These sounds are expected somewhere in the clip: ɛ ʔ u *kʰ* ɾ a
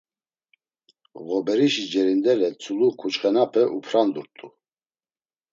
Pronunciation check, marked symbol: incorrect: pʰ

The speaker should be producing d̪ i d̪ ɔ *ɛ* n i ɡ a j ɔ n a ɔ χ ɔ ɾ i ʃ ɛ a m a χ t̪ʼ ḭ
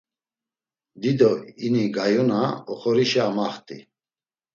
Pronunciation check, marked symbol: incorrect: i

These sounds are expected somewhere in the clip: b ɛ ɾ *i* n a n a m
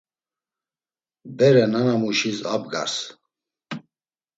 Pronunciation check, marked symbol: incorrect: ɛ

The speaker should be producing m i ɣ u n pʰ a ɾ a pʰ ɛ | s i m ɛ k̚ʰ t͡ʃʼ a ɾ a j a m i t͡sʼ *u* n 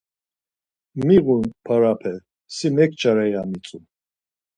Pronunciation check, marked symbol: correct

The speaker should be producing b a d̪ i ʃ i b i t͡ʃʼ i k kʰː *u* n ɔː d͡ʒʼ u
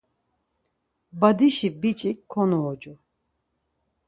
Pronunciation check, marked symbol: incorrect: ɔ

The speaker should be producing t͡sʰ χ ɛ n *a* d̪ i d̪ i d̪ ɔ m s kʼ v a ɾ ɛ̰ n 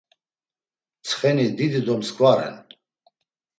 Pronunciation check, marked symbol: incorrect: i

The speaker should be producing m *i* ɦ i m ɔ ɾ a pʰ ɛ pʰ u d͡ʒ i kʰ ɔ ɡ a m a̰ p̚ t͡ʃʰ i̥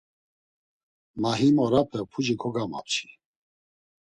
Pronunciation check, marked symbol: incorrect: a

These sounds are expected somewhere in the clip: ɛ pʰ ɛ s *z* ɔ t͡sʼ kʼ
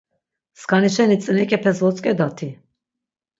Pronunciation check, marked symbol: incorrect: v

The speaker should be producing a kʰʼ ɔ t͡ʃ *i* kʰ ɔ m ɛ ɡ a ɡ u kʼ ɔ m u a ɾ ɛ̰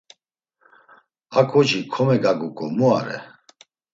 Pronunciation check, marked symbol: correct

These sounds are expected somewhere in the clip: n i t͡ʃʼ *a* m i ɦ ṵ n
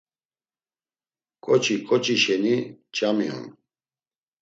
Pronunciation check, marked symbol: correct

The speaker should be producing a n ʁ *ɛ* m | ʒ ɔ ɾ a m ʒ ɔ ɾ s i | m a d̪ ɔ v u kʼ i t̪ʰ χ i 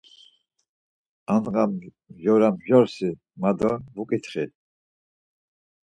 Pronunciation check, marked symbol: incorrect: a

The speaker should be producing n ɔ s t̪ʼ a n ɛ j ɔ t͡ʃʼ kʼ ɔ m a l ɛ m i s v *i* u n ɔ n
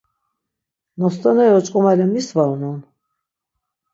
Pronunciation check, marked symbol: incorrect: a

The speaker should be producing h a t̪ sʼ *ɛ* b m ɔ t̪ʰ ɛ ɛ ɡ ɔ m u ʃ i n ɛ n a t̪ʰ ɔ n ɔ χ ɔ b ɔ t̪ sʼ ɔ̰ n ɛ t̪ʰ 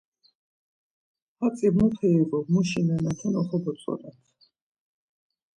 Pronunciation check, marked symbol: incorrect: i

